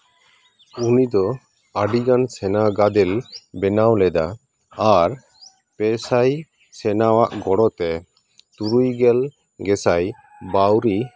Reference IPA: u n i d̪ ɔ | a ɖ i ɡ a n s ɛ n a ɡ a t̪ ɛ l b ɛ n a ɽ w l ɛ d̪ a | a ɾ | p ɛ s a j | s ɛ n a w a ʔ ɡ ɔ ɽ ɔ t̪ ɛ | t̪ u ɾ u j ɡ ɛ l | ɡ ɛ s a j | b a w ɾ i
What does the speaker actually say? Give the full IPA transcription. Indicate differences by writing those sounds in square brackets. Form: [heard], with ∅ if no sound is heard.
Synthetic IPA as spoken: u n i d̪ ɔ | a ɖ i ɡ a n s ɛ n a ɡ a [d̪] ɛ l b ɛ n a [∅] w l ɛ d̪ a | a ɾ | p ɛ s a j | s ɛ n a w a ʔ ɡ ɔ ɽ ɔ t̪ ɛ | t̪ u ɾ u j ɡ ɛ l | ɡ ɛ s a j | b a w ɾ i